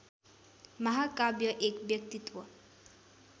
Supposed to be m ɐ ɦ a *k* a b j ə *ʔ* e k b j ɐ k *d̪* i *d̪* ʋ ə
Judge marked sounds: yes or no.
yes, yes, no, no

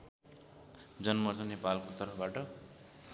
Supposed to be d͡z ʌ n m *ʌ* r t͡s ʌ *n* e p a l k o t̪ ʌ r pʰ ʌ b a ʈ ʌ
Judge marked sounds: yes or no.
yes, yes

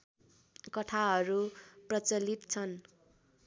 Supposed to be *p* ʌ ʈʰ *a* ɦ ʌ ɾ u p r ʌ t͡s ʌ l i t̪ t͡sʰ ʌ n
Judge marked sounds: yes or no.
no, yes

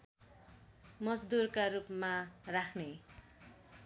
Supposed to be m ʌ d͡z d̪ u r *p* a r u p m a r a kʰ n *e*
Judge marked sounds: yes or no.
no, yes

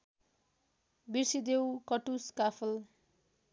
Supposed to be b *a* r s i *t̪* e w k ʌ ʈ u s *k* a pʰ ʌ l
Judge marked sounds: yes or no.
no, no, yes

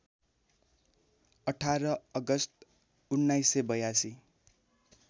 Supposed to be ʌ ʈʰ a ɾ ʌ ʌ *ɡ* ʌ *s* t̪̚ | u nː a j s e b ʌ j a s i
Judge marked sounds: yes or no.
yes, yes

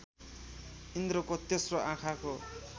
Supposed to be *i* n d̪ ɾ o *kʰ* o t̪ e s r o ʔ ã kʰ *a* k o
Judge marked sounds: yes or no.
yes, no, yes

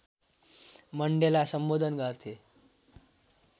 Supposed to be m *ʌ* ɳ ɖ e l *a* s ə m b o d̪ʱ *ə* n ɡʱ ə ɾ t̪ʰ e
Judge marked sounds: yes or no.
no, yes, yes

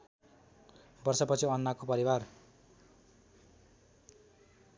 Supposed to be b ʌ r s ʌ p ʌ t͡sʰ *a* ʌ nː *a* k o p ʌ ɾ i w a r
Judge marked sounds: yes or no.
no, yes

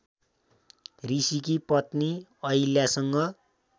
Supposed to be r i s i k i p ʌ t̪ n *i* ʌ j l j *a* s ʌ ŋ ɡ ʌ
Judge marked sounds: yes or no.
yes, yes

